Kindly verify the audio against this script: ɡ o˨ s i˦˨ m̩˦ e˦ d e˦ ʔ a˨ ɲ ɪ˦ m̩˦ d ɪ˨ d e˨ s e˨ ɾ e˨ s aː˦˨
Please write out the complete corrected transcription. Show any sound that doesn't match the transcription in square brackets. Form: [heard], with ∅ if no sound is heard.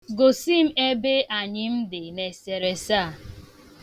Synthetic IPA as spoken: ɡ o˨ s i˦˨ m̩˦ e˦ [b] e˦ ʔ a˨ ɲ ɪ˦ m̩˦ d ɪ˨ [n] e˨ s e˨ ɾ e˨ s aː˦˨